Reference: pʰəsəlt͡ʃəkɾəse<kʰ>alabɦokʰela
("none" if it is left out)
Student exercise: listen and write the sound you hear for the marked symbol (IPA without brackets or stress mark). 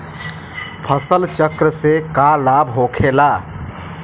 k